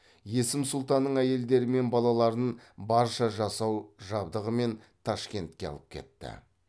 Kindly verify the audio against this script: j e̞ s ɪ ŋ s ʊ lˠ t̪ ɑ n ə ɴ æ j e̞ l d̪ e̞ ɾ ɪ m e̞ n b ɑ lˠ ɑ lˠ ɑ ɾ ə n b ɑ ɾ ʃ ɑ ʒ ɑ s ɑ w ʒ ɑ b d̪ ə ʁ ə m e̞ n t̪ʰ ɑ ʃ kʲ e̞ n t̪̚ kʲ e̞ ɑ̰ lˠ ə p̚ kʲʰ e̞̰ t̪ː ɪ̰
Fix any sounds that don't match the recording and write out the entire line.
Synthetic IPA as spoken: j e̞ s ɪ m s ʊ lˠ t̪ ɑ nː ə ɴ æ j e̞ l d̪ e̞ ɾ ɪ m e̞ n b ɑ lˠ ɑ lˠ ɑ ɾ ə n b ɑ ɾ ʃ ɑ ʒ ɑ s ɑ w ʒ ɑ b d̪ ə ʁ ə m e̞ n t̪ʰ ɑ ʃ kʲ e̞ n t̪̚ kʲ e̞ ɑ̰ lˠ ə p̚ kʲʰ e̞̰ t̪ː ɪ̰